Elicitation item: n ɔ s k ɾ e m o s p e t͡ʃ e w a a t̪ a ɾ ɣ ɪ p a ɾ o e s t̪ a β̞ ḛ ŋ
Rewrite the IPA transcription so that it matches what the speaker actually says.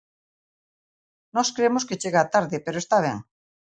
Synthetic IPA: n ɔ s k ɾ e m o s k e t͡ʃ e ɣ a a t̪ a ɾ ð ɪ p e ɾ o e s t̪ a β̞ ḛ ŋ